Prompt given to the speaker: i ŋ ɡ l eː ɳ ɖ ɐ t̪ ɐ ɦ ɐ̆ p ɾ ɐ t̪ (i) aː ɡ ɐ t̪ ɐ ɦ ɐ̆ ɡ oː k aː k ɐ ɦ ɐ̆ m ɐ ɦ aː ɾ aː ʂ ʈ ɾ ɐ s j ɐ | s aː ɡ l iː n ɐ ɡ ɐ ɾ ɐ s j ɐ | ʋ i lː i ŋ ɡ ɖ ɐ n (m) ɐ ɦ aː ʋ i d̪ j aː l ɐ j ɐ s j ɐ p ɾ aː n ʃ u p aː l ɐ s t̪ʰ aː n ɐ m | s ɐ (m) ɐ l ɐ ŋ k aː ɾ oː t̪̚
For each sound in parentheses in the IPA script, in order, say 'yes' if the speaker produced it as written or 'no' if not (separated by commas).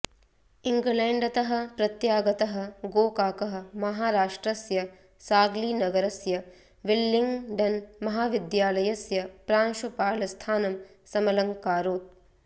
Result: no, yes, yes